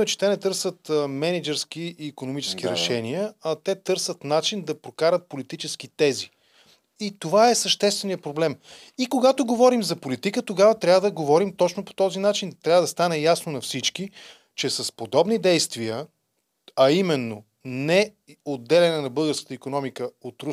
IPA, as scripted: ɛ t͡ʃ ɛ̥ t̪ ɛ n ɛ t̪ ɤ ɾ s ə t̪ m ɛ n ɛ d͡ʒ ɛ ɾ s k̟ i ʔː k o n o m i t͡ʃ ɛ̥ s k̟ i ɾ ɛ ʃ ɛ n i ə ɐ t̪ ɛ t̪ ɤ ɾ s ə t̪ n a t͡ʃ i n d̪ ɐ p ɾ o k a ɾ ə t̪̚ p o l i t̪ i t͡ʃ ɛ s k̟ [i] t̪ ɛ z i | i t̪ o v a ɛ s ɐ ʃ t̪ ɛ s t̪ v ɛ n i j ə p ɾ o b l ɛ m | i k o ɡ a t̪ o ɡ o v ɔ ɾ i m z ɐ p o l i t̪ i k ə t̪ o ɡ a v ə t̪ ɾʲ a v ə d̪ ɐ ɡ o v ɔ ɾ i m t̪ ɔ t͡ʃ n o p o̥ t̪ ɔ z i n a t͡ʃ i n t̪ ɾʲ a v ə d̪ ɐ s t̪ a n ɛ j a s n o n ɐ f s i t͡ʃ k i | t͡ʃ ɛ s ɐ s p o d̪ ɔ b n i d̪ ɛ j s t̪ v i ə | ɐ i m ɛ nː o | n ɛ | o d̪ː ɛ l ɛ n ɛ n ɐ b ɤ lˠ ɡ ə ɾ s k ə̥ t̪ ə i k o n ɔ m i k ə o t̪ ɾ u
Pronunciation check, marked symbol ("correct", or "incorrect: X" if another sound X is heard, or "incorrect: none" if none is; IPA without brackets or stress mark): correct